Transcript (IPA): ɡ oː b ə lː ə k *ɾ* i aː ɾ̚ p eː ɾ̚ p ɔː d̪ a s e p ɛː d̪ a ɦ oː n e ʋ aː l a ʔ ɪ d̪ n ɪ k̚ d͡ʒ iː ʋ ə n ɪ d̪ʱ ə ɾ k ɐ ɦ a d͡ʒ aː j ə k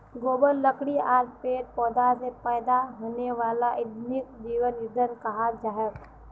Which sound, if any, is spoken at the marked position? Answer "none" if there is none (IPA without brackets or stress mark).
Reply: ɽ